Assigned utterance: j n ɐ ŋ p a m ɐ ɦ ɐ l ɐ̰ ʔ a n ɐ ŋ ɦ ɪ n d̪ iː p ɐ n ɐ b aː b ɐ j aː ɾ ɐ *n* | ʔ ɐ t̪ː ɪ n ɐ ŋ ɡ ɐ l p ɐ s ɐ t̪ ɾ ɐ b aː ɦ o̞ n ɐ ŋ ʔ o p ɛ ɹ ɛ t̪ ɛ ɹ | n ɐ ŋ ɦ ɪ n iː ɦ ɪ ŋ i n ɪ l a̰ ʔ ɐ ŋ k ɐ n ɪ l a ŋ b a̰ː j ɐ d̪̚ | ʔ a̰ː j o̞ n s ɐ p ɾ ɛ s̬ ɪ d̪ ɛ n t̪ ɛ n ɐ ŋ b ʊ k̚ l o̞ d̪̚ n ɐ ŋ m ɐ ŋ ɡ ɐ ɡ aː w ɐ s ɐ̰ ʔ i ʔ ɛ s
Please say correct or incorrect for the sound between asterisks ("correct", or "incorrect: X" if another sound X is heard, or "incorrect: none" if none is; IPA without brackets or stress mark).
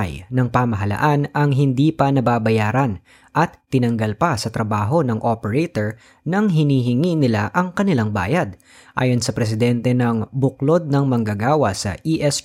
correct